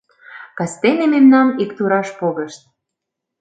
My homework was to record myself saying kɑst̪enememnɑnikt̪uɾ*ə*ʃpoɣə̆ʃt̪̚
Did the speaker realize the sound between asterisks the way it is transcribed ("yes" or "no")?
no